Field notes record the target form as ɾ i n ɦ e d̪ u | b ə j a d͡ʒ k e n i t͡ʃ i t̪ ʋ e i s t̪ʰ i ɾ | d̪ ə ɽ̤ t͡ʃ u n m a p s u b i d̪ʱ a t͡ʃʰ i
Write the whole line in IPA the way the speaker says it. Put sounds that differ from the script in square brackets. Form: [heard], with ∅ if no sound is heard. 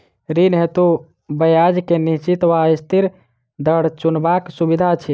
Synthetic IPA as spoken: ɾ i n ɦ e [t̪] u | b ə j a d͡ʒ k e n i t͡ʃ i t̪ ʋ [a] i s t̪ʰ i ɾ | d̪ ə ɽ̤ t͡ʃ u n [b] a [k] s u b i d̪ʱ a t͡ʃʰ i